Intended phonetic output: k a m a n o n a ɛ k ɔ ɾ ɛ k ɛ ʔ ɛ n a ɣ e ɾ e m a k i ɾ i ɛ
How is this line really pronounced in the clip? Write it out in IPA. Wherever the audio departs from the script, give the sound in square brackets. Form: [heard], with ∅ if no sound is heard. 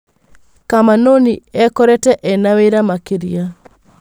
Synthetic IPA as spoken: k a m a n o n [i] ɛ k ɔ ɾ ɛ [t] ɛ ʔ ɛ n a [w] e ɾ [a] m a k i ɾ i [a]